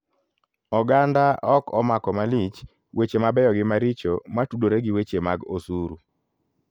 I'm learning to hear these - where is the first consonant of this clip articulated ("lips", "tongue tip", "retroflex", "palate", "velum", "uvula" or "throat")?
velum